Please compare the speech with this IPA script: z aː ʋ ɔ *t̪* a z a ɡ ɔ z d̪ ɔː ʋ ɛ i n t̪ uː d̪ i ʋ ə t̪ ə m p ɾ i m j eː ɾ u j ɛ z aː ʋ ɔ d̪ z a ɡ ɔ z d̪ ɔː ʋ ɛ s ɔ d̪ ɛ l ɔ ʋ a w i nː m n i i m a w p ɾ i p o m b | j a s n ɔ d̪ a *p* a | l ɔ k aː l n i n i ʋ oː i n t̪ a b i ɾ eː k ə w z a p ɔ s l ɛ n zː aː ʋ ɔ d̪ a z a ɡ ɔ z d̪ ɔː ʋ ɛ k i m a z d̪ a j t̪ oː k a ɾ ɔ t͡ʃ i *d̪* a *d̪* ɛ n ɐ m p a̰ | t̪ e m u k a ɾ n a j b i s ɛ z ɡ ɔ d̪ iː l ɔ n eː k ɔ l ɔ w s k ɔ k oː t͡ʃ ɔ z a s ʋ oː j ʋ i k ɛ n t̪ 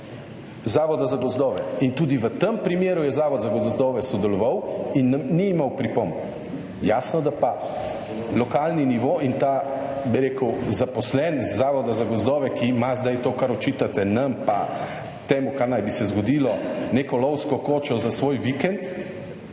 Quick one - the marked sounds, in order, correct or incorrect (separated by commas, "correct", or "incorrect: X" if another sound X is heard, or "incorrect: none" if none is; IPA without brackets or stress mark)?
incorrect: d̪, correct, incorrect: t̪, incorrect: t̪